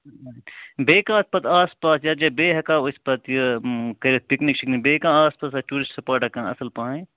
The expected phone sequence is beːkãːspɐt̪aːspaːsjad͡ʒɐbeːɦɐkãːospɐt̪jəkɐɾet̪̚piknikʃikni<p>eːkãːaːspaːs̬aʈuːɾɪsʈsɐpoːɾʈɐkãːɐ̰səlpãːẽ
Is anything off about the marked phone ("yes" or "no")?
yes